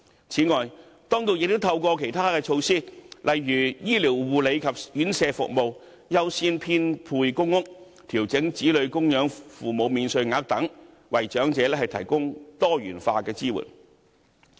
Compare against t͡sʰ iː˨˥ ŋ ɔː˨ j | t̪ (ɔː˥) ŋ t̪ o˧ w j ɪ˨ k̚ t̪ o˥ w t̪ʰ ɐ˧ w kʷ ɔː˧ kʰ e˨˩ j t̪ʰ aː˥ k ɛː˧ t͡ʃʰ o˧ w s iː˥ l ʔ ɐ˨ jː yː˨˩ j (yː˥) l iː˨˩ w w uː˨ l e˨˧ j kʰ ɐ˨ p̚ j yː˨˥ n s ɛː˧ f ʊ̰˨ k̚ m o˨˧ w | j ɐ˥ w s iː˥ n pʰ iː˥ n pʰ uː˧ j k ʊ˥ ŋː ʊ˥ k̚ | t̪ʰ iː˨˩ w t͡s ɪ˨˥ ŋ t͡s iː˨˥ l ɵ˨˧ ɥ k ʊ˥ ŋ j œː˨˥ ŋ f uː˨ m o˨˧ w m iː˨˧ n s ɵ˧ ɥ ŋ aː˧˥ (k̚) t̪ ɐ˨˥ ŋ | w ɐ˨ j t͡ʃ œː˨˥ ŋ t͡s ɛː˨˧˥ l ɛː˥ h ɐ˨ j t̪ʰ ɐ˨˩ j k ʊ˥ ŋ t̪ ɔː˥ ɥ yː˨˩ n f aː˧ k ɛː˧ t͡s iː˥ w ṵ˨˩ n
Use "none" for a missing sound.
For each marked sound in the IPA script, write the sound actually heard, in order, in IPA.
ɔː˥, iː˥, k̚

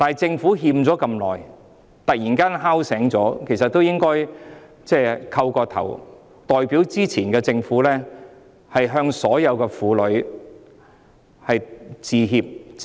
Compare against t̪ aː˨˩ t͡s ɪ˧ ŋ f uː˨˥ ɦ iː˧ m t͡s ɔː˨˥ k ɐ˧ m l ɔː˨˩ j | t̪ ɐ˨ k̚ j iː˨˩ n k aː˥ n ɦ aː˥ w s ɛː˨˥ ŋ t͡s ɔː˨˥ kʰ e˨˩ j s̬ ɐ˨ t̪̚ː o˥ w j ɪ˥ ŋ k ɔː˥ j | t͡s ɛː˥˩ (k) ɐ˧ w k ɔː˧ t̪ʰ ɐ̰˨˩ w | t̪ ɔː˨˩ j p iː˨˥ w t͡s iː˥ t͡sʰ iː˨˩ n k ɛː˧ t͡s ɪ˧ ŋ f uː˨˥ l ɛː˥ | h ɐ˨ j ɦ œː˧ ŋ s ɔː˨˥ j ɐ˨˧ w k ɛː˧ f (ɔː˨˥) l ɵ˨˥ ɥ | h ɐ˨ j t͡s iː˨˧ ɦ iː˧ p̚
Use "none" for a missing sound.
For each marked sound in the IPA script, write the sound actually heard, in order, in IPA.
kʰ, uː˨˥

